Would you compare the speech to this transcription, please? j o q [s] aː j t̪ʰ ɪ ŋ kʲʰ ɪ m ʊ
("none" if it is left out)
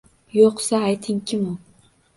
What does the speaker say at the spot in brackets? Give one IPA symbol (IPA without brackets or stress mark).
s